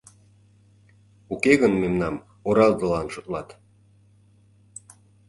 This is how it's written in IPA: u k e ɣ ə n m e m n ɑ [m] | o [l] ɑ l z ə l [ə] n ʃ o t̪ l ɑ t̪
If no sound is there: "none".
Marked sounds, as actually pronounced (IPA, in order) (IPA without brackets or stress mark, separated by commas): m, ɾ, ɑ